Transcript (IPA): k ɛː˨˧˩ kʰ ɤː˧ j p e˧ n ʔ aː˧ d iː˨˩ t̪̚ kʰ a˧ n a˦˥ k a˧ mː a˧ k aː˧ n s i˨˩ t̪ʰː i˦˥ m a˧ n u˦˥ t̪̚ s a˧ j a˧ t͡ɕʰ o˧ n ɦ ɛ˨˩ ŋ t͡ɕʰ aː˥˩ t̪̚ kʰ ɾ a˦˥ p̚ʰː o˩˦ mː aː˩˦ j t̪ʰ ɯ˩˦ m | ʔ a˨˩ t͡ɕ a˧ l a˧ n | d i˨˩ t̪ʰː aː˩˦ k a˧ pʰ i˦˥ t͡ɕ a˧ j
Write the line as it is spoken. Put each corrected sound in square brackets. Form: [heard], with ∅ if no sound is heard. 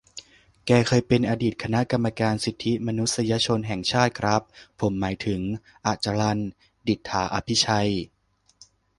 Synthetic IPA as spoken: k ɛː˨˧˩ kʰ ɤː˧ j p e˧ n ʔ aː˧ d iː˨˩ t̪̚ kʰ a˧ n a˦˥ k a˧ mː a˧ k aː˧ n s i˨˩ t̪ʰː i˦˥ m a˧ n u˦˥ t̪̚ s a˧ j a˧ t͡ɕʰ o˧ n ɦ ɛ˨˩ ŋ t͡ɕʰ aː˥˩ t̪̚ kʰ ɾ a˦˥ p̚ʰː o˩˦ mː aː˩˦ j t̪ʰ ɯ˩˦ [ŋ] | ʔ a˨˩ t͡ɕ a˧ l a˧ n | d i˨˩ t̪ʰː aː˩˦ [ʔ] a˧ pʰ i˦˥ [t͡ɕʰ] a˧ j